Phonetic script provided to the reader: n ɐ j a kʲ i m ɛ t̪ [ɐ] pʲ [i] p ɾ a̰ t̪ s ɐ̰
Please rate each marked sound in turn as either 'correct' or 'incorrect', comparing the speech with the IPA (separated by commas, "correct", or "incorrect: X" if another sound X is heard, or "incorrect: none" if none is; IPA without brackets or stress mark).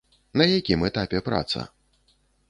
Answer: incorrect: a, incorrect: ɛ